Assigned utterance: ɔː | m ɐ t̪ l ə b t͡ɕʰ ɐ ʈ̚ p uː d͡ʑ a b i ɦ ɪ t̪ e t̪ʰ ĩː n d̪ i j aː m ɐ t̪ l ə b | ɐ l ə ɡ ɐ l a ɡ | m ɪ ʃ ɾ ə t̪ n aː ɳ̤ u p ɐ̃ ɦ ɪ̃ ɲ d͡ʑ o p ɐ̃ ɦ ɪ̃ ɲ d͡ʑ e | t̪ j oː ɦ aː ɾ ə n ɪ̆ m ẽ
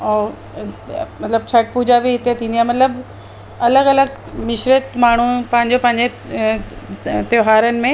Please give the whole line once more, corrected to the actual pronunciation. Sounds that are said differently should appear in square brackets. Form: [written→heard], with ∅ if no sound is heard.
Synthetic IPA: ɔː | m ɐ t̪ l ə b t͡ɕʰ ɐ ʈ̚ p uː d͡ʑ a b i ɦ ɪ t̪ e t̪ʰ ĩː n d̪ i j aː m ɐ t̪ l ə b | ɐ l ə ɡ ɐ l [a→ə] ɡ | m ɪ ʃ ɾ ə t̪ [n→m] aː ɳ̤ u p ɐ̃ ɦ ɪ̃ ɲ d͡ʑ o p ɐ̃ ɦ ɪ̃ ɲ d͡ʑ e | t̪ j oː ɦ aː ɾ ə n ɪ̆ m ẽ